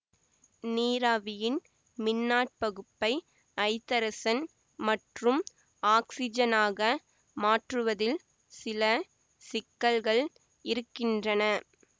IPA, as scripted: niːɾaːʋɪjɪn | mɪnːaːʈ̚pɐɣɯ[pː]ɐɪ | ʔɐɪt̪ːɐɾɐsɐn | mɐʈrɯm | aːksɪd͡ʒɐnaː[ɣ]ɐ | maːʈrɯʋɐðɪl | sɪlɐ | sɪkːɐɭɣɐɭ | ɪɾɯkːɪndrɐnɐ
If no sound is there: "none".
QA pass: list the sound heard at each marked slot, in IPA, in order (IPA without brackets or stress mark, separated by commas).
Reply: pː, ɣ